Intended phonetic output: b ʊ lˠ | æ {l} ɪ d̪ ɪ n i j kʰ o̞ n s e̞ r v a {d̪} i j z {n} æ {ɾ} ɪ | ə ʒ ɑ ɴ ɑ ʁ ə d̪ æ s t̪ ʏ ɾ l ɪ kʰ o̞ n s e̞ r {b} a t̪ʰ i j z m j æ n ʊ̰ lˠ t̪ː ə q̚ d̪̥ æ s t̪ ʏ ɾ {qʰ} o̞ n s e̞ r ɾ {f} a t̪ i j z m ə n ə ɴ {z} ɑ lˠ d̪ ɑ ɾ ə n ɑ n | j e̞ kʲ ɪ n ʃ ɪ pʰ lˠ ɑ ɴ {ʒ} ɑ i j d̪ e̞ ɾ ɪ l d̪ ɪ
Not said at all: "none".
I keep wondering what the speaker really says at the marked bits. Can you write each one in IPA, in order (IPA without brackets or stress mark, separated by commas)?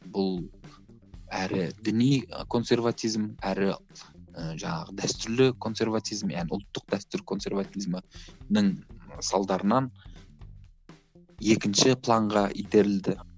ɾ, t̪, m, ɾ, v, kʰ, v, s, ʁ